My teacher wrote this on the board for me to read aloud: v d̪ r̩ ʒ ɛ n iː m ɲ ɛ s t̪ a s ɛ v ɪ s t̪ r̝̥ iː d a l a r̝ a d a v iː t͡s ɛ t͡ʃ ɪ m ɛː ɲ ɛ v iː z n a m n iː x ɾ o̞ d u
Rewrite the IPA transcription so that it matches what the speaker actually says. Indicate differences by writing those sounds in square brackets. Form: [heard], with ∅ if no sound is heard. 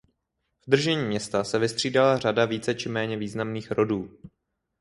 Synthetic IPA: v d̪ r̩ ʒ ɛ [ɲ] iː m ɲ ɛ s t̪ a s ɛ v ɪ s t̪ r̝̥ iː d a l a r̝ a d a v iː t͡s ɛ t͡ʃ ɪ m ɛː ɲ ɛ v iː z n a m n iː x ɾ o̞ d [uː]